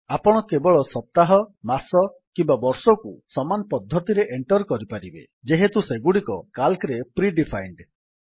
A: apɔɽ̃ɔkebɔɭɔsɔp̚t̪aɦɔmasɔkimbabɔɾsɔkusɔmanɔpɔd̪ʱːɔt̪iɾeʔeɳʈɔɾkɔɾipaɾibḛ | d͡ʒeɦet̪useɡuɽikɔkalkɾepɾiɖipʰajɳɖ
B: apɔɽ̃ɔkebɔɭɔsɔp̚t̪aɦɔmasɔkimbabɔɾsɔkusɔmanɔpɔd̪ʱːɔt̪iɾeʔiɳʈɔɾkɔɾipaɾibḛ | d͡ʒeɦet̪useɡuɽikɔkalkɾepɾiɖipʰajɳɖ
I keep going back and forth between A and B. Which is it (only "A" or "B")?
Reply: A